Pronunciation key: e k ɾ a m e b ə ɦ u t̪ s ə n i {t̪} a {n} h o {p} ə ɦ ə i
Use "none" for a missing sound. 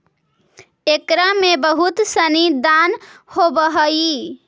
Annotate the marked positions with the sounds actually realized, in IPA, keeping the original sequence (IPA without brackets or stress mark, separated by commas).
d̪, n, b